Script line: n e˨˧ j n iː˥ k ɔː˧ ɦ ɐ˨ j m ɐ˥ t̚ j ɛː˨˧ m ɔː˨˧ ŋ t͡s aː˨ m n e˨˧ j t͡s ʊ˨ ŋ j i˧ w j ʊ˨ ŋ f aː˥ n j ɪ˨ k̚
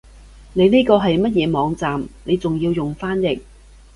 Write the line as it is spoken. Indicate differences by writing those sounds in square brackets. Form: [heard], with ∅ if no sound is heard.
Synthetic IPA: n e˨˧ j n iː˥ k ɔː˧ ɦ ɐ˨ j m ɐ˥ t̚ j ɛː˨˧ m ɔː˨˧ ŋ t͡s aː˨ m n e˨˧ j t͡s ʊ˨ ŋ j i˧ w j ʊ˨ ŋ f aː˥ n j ɪ˨ k̚